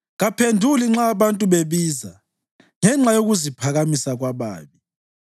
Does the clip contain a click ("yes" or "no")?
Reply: yes